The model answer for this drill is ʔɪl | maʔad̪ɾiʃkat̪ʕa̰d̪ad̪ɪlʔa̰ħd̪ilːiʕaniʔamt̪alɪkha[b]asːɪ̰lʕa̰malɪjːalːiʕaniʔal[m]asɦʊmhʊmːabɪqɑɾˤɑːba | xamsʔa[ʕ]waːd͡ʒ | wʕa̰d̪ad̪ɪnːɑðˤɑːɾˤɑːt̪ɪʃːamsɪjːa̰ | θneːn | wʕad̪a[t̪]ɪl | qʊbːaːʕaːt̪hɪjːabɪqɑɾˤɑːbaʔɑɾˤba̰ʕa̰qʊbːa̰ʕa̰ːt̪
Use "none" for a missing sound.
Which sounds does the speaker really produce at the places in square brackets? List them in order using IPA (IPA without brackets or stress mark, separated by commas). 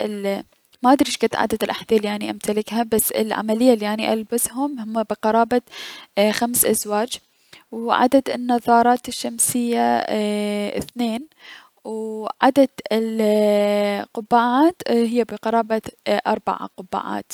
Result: b, b, z, d̪